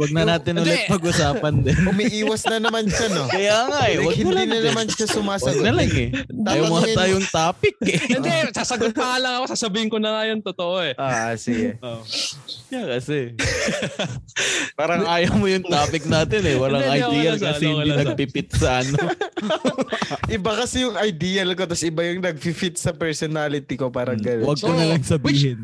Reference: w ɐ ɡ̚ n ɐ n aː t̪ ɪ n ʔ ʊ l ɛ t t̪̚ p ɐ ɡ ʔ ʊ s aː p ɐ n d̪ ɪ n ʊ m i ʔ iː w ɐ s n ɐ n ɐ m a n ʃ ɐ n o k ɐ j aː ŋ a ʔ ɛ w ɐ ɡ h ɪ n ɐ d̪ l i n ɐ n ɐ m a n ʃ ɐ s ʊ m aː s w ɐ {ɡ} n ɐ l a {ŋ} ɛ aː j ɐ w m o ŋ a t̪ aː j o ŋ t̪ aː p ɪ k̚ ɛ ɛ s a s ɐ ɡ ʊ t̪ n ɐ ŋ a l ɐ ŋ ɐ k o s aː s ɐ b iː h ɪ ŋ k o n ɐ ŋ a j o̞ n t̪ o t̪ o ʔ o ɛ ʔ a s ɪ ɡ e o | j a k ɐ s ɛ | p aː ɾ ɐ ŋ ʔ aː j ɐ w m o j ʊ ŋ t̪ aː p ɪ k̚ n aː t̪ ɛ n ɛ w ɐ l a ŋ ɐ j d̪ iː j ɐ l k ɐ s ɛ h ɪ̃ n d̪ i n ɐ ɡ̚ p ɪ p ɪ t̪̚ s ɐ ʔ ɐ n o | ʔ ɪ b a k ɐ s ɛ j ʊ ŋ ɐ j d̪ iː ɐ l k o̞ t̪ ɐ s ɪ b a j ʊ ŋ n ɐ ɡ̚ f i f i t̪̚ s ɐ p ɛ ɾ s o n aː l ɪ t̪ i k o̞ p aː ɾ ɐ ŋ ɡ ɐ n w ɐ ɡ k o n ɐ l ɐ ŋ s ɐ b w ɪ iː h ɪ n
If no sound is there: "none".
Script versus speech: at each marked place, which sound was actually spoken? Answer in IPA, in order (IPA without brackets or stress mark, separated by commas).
ɡ, ŋ